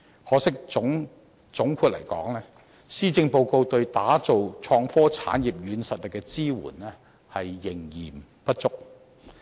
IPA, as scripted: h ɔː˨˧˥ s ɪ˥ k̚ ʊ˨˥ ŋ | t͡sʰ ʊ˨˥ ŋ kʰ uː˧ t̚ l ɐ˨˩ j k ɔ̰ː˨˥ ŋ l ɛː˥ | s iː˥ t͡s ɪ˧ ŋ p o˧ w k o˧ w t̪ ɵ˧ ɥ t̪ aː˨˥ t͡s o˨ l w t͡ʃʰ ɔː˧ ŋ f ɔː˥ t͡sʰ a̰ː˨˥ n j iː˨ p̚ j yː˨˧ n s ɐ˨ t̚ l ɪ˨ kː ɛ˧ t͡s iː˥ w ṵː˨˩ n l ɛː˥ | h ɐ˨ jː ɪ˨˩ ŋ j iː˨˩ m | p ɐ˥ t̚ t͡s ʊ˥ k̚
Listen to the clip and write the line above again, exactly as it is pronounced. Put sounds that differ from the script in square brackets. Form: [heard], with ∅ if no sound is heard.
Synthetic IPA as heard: h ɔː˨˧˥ s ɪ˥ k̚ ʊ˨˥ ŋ | [t͡s] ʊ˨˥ ŋ kʰ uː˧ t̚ l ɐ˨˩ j k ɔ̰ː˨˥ ŋ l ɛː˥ | s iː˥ t͡s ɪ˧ ŋ p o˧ w k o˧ w t̪ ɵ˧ ɥ t̪ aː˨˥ t͡s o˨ [∅] w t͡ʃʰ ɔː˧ ŋ f ɔː˥ t͡sʰ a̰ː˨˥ n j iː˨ p̚ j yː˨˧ n s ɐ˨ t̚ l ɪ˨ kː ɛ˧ t͡s iː˥ w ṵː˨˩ n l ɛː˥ | h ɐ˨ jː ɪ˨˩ ŋ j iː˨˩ m | p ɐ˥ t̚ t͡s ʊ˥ k̚

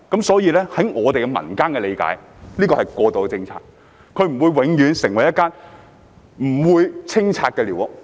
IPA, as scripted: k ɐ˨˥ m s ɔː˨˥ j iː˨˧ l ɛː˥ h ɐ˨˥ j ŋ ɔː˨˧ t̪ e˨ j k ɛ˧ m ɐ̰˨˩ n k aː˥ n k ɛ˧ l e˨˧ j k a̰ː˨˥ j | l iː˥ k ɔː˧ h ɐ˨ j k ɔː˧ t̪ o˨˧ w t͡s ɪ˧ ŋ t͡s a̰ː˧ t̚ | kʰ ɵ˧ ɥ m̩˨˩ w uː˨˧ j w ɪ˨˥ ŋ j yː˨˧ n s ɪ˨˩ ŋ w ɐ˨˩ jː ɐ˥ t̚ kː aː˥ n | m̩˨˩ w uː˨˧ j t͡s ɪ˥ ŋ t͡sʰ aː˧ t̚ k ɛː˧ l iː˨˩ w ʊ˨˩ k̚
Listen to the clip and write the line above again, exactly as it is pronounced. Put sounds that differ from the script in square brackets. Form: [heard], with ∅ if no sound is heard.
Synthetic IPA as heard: k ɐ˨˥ m s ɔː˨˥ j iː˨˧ l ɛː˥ h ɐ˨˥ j ŋ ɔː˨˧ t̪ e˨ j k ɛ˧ m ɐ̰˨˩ n k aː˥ n k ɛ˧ l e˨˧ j k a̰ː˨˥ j | l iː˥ k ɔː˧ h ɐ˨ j k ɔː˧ t̪ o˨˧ w t͡s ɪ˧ ŋ [t͡sʰ] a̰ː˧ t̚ | kʰ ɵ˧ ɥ m̩˨˩ w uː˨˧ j w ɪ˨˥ ŋ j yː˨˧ n s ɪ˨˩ ŋ w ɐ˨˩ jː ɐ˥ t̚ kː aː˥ n | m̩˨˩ w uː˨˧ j [t͡sʰ] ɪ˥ ŋ t͡sʰ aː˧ t̚ k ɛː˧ l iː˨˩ w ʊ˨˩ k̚

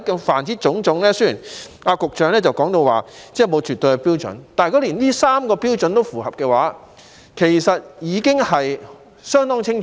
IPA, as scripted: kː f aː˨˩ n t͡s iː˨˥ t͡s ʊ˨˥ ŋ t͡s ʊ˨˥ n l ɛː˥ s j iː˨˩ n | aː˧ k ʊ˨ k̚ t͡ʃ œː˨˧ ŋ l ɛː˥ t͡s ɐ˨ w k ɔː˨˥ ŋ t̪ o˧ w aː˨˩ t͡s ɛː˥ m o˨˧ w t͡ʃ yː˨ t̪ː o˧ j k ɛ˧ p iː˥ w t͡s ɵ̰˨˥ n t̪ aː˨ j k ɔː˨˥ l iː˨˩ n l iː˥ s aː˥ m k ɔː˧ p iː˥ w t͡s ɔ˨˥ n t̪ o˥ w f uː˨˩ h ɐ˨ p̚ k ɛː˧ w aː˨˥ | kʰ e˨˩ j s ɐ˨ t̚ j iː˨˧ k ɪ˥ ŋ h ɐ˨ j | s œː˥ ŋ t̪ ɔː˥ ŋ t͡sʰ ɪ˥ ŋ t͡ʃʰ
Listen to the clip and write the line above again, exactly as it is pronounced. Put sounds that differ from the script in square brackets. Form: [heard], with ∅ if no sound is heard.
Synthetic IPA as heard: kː f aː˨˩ n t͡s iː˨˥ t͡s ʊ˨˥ ŋ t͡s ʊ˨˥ [ŋ] l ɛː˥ s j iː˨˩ n | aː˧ k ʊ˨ k̚ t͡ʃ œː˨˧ ŋ l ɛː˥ t͡s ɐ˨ w k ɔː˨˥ ŋ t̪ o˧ w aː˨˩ t͡s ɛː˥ m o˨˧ w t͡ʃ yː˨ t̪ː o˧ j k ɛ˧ p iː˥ w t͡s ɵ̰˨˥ n t̪ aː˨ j k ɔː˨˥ l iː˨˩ n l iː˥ s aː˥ m k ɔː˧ p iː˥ w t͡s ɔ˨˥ n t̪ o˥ w f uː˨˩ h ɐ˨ p̚ k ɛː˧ w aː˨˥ | kʰ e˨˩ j s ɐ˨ t̚ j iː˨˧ k ɪ˥ ŋ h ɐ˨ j | s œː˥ ŋ t̪ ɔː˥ ŋ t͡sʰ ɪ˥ ŋ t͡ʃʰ

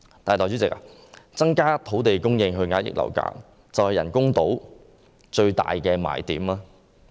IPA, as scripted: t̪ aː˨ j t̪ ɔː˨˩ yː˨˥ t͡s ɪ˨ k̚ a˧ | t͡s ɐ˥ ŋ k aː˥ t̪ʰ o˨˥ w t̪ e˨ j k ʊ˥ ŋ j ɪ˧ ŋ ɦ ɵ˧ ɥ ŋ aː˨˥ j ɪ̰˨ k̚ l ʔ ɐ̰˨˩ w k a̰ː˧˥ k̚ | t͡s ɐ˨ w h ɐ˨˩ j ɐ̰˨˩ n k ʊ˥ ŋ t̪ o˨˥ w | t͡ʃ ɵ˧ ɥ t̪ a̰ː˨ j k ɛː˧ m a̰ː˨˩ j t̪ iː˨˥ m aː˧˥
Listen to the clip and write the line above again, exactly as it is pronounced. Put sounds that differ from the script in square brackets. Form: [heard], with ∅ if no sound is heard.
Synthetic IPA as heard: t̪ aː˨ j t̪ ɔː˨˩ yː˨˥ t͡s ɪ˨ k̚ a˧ | t͡s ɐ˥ ŋ k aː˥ t̪ʰ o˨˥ w t̪ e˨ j k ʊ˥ ŋ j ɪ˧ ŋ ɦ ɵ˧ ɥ ŋ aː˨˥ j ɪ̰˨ k̚ l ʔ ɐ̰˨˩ w k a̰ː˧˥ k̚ | t͡s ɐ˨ w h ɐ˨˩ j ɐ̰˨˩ n k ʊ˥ ŋ t̪ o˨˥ w | t͡ʃ ɵ˧ ɥ t̪ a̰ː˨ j k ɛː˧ m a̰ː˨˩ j t̪ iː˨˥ m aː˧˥

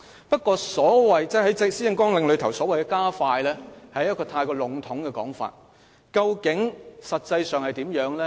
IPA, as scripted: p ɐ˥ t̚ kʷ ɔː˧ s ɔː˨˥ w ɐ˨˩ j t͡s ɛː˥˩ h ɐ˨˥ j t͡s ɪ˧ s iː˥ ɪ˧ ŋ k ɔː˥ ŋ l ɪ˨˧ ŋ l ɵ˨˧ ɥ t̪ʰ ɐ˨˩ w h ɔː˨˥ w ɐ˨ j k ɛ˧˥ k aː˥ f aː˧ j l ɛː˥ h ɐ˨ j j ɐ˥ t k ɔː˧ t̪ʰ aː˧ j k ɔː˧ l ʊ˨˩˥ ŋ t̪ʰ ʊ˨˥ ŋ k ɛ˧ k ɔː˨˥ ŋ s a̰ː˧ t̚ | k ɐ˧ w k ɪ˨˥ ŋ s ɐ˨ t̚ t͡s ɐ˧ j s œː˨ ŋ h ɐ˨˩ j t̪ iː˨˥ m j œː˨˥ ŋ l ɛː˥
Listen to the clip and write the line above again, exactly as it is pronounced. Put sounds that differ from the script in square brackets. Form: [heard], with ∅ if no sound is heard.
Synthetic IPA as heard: p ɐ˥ t̚ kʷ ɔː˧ s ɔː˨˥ w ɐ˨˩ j t͡s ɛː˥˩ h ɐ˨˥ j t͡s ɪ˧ s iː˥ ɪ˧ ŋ k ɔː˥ ŋ l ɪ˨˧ ŋ l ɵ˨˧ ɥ t̪ʰ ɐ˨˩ w [s] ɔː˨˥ w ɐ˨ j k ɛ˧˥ k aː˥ f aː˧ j l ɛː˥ h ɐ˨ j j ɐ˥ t k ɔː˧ t̪ʰ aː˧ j k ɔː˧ l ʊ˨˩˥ ŋ t̪ʰ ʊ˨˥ ŋ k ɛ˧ k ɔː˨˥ ŋ [f] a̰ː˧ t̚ | k ɐ˧ w k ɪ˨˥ ŋ s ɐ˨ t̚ t͡s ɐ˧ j s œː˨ ŋ h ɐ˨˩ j t̪ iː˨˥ m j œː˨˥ ŋ l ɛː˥

